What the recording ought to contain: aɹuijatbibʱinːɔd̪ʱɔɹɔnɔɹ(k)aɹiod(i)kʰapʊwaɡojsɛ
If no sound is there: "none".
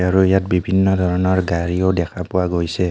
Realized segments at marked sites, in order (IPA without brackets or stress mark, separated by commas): ɡ, ɛ